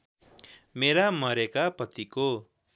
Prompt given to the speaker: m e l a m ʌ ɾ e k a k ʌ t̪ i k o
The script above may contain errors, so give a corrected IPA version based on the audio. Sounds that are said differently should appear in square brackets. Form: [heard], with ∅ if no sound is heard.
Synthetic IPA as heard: m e [ɾ] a m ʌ ɾ e k a [p] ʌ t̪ i k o